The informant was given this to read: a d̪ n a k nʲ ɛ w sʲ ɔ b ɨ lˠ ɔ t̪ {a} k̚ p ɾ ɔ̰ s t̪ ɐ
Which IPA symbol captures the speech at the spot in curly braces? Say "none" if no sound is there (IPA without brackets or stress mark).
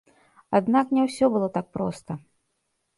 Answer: a